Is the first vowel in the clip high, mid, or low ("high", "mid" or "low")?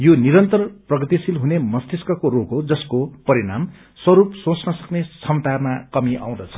mid